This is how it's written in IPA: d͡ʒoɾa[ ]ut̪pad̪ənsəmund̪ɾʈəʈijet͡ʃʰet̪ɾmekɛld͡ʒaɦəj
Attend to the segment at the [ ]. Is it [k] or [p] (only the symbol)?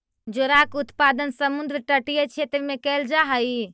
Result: k